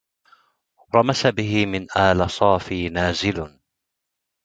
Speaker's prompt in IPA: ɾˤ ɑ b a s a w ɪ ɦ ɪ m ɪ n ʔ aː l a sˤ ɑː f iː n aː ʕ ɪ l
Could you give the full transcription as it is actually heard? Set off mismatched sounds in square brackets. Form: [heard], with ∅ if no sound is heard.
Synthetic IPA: ɾˤ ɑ [m] a s a [b] ɪ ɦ ɪ m ɪ n ʔ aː l a sˤ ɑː f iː n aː [z] ɪ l